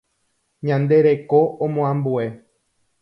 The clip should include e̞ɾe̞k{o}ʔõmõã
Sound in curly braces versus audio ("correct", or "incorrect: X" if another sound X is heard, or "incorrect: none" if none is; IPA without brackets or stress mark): correct